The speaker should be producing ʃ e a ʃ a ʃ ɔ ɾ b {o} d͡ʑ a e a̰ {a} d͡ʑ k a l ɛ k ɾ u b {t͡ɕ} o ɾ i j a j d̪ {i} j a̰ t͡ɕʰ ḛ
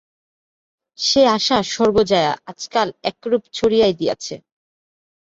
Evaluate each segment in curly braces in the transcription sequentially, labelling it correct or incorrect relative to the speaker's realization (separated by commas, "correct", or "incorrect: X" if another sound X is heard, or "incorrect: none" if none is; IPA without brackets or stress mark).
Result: correct, correct, incorrect: t͡ɕʰ, correct